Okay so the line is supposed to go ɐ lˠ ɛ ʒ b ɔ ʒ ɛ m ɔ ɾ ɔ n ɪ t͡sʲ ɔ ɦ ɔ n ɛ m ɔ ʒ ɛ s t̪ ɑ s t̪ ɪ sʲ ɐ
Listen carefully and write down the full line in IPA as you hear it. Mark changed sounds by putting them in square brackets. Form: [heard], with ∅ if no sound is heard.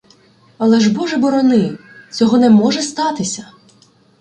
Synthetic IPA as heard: ɐ lˠ ɛ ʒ b ɔ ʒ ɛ [b] ɔ ɾ ɔ n ɪ t͡sʲ ɔ ɦ ɔ n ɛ m ɔ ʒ ɛ s t̪ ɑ [∅] t̪ ɪ sʲ ɐ